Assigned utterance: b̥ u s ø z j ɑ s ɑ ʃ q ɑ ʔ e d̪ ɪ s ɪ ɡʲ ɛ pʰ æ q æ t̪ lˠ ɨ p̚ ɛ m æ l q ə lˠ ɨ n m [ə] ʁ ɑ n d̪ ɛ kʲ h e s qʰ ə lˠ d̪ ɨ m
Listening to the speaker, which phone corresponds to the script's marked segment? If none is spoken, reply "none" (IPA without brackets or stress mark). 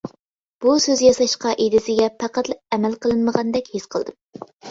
ə